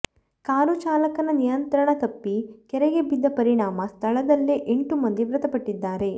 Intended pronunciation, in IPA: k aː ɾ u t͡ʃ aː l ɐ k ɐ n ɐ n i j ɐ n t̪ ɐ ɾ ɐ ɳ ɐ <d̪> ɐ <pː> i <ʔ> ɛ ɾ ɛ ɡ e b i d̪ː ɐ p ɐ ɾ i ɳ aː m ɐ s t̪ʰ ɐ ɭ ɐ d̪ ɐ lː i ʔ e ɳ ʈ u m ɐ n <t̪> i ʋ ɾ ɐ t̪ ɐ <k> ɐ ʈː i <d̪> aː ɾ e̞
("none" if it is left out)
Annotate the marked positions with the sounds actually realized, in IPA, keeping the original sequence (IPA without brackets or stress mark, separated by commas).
t̪, pː, k, d̪, p, d̪ː